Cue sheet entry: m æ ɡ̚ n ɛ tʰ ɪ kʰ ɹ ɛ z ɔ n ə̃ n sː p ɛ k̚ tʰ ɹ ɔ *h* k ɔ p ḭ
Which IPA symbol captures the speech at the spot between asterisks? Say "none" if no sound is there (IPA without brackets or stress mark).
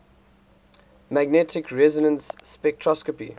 s